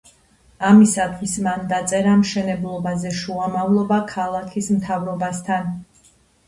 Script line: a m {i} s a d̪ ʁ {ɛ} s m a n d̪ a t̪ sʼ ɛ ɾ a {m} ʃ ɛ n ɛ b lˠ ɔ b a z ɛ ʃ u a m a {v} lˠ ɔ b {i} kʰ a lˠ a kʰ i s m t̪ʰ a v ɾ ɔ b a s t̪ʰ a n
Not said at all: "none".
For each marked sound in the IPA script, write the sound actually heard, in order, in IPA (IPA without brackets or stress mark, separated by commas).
i, i, m, v, a